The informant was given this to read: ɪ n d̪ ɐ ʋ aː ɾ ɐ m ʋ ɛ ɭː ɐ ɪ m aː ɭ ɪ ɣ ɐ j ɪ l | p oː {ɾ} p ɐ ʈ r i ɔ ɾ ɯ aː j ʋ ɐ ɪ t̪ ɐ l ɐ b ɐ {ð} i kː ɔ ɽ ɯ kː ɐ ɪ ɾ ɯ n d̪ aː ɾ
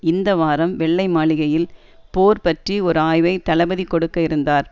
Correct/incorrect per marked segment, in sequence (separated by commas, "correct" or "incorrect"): correct, correct